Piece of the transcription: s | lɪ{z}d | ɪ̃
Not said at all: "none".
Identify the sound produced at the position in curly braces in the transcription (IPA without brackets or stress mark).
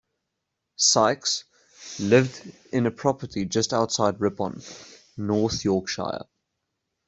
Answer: v